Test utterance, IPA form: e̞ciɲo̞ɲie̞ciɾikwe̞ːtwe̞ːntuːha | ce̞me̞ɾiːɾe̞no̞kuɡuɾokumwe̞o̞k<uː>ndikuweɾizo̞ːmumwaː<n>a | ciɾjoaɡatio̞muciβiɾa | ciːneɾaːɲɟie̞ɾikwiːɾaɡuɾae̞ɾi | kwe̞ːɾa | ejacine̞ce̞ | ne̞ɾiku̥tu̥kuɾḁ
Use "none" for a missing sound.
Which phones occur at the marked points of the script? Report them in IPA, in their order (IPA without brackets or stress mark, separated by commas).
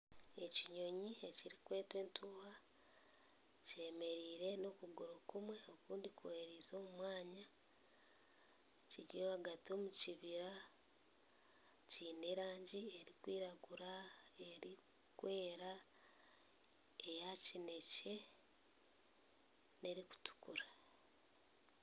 uː, ɲ